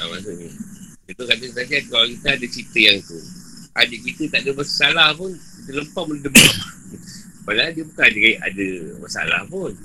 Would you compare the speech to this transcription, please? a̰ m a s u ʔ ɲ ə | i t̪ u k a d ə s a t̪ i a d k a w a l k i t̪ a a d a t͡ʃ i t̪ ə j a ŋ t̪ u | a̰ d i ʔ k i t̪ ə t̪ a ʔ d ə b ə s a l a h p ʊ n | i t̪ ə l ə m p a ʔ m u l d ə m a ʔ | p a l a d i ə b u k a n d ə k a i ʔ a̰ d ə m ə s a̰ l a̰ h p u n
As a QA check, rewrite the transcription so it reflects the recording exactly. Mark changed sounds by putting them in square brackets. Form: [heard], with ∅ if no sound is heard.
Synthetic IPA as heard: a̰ m a s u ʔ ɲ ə | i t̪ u k a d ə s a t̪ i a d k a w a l k i t̪ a a d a t͡ʃ i t̪ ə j a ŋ t̪ u | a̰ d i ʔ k i t̪ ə t̪ a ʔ d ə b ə s a l a h p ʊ n | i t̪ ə l ə m p a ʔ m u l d ə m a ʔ | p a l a d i ə b u k a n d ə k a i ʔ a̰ d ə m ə s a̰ l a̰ h p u n